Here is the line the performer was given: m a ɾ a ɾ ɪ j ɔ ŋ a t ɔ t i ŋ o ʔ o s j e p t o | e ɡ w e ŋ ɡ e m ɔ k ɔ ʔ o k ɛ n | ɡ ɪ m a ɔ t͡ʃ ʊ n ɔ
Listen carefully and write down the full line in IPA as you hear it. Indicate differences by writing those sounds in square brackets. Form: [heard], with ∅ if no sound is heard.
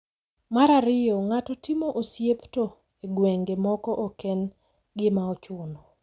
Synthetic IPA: m a ɾ a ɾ ɪ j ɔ ŋ a t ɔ t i [m] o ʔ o s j e p t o | e ɡ w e ŋ ɡ e m ɔ k ɔ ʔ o k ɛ n | ɡ ɪ m a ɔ t͡ʃ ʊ n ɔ